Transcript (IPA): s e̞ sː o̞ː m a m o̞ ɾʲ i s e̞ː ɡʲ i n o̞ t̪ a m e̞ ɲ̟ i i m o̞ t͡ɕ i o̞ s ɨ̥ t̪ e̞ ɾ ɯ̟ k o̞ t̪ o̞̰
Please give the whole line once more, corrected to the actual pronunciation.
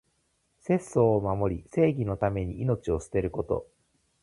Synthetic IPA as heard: s e̞ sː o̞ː m a m o̞ ɾʲ i s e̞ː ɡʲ i n o̞ t̪ a m e̞ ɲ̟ i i n o̞ t͡ɕ i o̞ s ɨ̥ t̪ e̞ ɾ ɯ̟ k o̞ t̪ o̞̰